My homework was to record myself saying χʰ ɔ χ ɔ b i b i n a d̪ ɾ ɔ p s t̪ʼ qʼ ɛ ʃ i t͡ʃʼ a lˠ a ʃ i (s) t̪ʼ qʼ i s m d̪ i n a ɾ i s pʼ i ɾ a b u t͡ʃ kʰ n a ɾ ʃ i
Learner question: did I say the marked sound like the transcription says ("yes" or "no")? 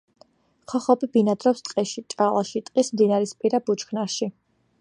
no